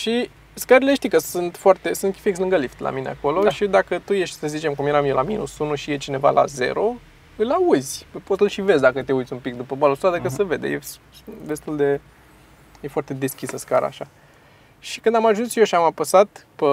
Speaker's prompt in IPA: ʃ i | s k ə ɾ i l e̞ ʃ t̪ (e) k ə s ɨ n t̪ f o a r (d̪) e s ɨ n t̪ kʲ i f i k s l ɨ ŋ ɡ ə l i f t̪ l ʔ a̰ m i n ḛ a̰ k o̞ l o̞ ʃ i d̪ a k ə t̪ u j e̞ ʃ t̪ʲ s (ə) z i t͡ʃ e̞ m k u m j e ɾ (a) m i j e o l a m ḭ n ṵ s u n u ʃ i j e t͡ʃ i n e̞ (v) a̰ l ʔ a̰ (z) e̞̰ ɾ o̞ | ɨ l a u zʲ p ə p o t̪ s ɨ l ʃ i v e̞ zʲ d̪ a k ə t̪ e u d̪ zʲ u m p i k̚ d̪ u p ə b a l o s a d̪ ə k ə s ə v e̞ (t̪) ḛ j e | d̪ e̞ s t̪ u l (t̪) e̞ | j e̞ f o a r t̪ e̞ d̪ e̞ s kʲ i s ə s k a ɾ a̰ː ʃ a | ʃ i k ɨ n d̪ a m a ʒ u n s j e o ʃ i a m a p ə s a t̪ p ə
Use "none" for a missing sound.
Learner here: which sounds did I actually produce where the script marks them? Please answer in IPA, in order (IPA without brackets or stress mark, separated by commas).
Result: i, t̪, ə, a, v, z, d̪, d̪